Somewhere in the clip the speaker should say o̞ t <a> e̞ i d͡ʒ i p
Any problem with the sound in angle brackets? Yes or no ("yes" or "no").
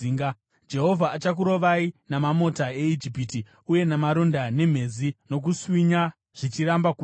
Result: no